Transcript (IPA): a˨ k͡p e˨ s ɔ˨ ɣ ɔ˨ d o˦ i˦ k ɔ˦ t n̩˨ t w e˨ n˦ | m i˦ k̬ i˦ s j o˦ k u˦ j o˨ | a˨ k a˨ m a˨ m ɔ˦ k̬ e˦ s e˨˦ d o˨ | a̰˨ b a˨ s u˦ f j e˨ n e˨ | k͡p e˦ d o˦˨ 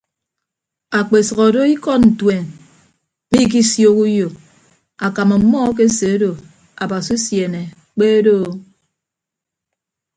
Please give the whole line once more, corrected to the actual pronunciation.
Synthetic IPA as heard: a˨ k͡p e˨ s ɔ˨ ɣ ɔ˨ d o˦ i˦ k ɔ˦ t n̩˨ t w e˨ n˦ | m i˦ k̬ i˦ s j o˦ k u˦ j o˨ | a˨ k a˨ m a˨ m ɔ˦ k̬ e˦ s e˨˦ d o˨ | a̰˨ b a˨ s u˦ s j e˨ n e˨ | k͡p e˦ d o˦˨